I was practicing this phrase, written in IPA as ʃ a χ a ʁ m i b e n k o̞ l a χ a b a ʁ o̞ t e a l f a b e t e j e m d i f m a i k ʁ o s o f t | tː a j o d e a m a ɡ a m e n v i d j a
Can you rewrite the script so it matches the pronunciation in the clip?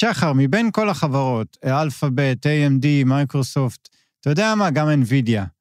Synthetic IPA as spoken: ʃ a χ a ʁ m i b e n k o̞ l a χ a v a ʁ o̞ t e a l f a b e t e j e m d i m a j k ʁ o s o f t | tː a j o d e a m a ɡ a m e n v i d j a